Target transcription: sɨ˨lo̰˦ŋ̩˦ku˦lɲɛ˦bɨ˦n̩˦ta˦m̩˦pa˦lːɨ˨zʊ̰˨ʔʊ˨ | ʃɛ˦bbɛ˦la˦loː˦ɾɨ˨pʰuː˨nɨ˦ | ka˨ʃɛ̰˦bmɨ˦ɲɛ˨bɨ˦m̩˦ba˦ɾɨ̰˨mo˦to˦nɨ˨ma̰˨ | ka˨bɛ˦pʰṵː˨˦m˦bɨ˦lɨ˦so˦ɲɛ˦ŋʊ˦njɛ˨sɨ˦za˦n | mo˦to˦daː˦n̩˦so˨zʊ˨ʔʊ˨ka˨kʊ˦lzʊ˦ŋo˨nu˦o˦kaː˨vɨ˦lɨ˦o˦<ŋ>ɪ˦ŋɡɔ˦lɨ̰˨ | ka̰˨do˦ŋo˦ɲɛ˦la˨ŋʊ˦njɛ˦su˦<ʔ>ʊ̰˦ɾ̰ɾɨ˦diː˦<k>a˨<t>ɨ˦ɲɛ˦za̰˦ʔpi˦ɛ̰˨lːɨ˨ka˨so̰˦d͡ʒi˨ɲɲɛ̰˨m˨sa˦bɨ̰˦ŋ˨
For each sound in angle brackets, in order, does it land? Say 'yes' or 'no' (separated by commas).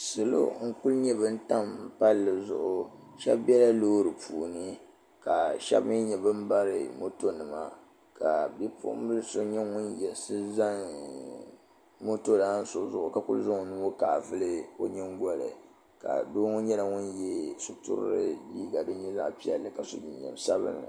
no, no, no, no